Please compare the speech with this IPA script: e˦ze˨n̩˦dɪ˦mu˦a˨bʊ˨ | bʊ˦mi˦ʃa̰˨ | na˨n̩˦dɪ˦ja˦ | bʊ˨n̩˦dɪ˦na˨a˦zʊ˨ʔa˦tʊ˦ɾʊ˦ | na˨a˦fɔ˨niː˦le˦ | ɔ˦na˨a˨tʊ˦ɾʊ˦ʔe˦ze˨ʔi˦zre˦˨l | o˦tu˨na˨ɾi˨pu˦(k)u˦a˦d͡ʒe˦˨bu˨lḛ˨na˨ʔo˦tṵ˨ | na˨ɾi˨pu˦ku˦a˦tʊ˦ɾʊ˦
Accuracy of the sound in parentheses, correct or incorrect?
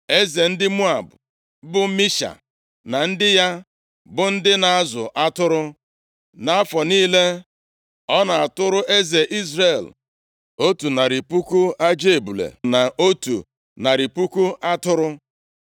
correct